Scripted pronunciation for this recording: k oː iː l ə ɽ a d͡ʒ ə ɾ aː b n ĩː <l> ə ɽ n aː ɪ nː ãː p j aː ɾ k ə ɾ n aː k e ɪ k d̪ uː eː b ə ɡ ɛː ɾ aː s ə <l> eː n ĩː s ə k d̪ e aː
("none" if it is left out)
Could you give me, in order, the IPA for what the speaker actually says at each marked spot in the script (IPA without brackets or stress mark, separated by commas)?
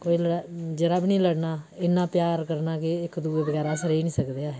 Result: l, ɾ